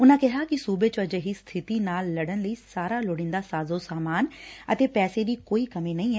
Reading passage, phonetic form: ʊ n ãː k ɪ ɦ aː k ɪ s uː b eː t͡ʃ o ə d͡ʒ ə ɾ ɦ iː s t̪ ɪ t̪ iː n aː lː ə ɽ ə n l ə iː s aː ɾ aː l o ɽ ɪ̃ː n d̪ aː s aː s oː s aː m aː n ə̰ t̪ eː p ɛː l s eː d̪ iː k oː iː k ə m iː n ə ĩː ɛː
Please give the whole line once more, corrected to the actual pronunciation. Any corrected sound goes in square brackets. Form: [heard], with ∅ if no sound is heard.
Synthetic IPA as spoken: ʊ n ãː k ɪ ɦ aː k ɪ s uː b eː t͡ʃ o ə d͡ʒ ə [∅] ɦ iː s [t̪ʰ] ɪ t̪ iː n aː lː ə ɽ ə n l ə iː s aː ɾ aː l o ɽ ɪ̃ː n d̪ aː s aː [z] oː s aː m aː n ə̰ t̪ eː p ɛː [∅] s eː d̪ iː k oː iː k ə m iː n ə ĩː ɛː